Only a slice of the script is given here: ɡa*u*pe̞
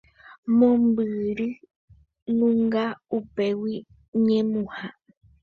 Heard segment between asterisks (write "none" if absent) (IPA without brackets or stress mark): u